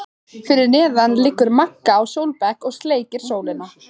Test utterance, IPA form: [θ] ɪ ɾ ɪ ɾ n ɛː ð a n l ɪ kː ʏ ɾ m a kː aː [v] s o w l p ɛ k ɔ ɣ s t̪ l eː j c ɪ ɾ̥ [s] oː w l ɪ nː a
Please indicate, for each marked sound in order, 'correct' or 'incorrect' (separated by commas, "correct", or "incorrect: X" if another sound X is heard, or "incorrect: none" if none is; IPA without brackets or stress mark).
incorrect: f, incorrect: w, correct